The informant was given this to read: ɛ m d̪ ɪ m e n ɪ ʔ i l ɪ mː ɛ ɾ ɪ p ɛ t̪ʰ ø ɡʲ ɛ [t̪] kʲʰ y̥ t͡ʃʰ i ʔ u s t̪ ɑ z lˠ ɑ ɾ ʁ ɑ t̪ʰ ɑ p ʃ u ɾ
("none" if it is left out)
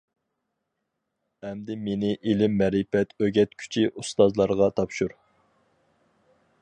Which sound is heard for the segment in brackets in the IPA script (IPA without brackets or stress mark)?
t̪